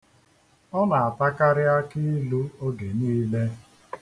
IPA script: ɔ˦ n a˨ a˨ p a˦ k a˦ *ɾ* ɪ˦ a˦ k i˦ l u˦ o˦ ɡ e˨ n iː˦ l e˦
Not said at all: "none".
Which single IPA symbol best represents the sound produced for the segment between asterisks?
ɾ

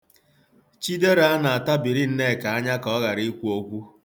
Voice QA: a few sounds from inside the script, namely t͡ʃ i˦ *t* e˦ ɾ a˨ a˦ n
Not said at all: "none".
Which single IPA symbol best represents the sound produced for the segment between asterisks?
d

